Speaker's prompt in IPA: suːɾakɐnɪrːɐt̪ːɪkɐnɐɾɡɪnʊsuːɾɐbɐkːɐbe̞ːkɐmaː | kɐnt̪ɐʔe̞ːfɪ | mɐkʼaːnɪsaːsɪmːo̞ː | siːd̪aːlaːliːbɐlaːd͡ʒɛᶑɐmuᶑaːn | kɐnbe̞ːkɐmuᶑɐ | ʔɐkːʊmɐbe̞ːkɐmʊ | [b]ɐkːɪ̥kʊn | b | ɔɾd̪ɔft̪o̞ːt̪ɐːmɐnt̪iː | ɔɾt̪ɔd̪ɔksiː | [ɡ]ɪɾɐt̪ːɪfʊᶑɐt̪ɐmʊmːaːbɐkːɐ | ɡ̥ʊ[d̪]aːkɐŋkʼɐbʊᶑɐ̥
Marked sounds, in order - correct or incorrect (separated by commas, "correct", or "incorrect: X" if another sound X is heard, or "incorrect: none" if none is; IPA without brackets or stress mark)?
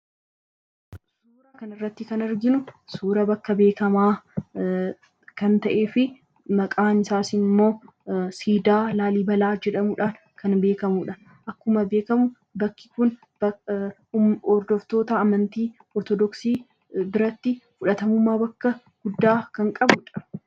correct, incorrect: b, incorrect: d̪ː